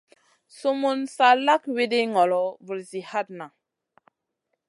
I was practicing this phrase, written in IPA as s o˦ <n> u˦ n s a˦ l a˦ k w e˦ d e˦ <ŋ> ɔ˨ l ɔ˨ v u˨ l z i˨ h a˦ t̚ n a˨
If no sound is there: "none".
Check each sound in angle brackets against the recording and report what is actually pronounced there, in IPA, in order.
m, ŋ

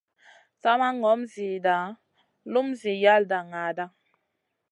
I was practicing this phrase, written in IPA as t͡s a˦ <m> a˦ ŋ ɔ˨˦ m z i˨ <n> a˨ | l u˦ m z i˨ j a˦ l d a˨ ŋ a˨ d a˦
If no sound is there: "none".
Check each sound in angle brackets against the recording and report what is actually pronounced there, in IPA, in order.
m, d

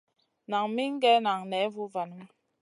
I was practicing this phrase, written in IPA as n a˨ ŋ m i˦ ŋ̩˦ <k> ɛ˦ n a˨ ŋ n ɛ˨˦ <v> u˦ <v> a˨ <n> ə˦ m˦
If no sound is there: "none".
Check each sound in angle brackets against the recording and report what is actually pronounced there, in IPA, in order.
ɡ, v, v, n

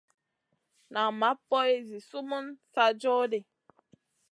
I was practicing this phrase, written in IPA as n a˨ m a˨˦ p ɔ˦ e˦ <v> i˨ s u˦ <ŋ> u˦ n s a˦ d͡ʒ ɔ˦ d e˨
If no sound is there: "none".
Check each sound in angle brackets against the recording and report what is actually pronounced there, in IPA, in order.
z, m

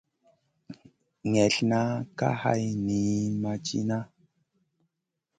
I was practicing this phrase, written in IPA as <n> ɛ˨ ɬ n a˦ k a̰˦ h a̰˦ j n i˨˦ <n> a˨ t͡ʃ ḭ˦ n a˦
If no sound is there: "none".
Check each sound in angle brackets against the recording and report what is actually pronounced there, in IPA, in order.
ŋ, m

